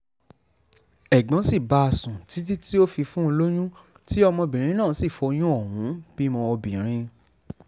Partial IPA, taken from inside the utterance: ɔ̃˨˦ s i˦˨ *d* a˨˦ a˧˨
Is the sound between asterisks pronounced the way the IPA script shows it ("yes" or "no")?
no